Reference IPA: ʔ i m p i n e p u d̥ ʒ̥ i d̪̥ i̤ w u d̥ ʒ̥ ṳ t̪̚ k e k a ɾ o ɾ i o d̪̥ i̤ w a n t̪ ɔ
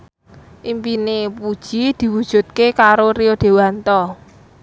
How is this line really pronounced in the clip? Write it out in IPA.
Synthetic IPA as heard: ʔ i m p i n e p u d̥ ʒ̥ i d̪̥ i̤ w u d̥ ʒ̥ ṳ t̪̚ k e k a ɾ o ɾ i o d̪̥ e̤ w a n t̪ ɔ